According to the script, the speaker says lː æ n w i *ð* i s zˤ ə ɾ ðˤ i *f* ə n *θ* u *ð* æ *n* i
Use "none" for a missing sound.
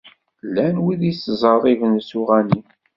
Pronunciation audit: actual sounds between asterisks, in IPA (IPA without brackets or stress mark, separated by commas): ð, v, s, ʁ, n